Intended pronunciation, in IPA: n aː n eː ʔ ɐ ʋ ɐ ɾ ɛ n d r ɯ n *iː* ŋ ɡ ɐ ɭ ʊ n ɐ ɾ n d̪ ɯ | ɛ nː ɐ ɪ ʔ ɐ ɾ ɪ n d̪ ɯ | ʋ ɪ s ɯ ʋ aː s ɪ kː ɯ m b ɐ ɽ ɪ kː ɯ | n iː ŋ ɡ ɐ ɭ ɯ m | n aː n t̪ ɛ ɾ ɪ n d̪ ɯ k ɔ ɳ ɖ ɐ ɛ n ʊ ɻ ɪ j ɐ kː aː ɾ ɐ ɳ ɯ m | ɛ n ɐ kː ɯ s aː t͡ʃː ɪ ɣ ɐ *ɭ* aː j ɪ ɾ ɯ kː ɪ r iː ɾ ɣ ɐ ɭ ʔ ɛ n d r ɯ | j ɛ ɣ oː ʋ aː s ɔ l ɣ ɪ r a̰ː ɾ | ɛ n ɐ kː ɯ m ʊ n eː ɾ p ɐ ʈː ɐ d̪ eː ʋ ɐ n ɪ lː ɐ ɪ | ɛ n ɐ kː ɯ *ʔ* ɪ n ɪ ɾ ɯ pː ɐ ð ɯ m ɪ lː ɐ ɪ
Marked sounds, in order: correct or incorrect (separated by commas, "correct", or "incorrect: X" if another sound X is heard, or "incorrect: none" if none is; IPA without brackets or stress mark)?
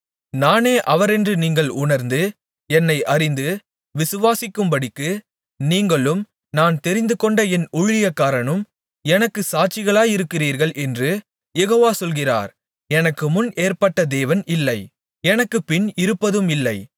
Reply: correct, correct, incorrect: p